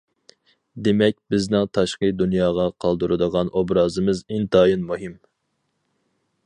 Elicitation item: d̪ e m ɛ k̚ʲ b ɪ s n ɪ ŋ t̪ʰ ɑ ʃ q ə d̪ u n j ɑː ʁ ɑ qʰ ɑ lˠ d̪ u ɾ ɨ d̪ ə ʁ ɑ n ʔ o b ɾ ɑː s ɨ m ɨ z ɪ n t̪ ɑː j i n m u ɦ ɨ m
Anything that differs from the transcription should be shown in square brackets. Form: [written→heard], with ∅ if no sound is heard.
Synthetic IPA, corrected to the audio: d̪ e m ɛ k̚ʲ b ɪ [s→z] n ɪ ŋ t̪ʰ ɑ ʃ q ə d̪ u n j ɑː ʁ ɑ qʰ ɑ lˠ d̪ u ɾ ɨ d̪ ə ʁ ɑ n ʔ o b ɾ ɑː [s→z] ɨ m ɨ z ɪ n t̪ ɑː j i n m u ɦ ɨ m